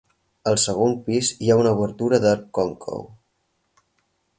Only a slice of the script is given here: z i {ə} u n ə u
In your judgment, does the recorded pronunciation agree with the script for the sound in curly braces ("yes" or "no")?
no